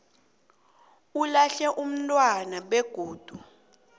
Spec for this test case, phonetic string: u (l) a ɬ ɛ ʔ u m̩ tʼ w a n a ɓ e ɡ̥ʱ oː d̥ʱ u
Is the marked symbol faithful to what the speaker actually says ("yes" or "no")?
yes